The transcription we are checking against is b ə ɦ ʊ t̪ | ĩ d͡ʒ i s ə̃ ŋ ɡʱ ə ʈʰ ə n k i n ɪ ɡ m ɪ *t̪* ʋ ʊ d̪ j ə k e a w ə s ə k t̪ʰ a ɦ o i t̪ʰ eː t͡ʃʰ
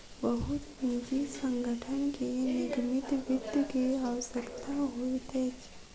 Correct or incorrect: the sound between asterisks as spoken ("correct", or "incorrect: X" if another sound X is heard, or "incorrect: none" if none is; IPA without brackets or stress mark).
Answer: correct